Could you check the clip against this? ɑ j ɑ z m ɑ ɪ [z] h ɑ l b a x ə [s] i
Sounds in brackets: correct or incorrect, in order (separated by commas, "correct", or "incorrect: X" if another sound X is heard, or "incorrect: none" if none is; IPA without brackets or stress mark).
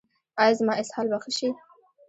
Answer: incorrect: s, incorrect: ʃ